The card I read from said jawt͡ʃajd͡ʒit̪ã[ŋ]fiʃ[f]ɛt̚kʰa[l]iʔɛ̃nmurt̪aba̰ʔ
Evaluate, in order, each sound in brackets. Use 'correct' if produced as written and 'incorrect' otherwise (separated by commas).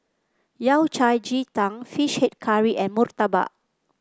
correct, incorrect, incorrect